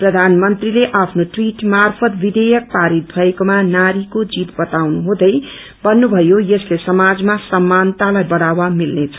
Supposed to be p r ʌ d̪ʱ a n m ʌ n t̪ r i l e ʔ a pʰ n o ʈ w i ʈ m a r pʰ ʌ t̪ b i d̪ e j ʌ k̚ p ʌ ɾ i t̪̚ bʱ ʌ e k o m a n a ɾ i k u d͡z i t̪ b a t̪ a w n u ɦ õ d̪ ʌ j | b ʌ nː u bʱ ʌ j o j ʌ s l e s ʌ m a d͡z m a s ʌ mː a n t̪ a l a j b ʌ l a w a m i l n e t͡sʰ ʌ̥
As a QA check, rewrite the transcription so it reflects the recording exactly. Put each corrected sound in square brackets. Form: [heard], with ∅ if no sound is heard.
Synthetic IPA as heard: p r ʌ d̪ʱ a n m ʌ n t̪ r i l e ʔ a pʰ n o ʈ w i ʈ m a r pʰ ʌ t̪ b i d̪ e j ʌ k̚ p [a] ɾ i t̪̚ bʱ ʌ e k o m a n a ɾ i k [o] d͡z i t̪ b [ʌ] t̪ a w n u ɦ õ d̪ ʌ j | b ʌ nː u bʱ ʌ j o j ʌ s l e s ʌ m a d͡z m a s ʌ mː a n t̪ a l a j b ʌ [ɽ] a w a m i l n e t͡sʰ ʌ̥